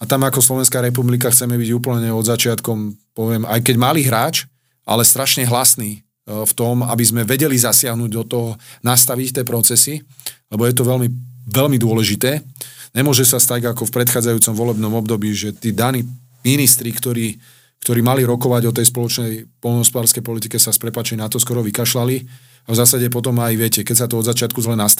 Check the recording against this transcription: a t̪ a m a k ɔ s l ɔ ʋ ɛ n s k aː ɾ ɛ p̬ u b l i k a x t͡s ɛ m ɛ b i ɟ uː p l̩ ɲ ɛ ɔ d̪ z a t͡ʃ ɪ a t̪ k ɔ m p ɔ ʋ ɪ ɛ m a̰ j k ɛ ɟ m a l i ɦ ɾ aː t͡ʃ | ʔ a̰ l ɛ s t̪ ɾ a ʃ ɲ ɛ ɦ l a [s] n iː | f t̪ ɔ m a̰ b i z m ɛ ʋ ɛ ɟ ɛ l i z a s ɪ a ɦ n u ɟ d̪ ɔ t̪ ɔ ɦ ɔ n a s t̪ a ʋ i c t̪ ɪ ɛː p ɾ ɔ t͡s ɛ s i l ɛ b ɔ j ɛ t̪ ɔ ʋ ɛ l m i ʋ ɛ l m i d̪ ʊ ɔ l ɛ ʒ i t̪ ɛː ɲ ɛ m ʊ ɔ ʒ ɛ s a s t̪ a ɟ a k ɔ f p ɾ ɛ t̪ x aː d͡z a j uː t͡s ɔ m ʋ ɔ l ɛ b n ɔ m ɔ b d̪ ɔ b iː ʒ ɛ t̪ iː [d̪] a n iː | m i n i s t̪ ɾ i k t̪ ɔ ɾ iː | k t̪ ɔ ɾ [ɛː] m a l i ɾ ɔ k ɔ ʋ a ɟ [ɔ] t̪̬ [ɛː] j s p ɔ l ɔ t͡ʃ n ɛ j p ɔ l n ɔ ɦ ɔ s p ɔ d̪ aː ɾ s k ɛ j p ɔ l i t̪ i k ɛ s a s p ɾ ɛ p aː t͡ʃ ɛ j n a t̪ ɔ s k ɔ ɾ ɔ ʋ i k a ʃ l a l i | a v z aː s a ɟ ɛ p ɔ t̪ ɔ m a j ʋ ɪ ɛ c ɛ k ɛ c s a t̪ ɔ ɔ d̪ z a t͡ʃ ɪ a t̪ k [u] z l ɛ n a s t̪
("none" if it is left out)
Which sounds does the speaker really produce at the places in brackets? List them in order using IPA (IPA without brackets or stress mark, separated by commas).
s, d̪, iː, ɔ, ɛ, u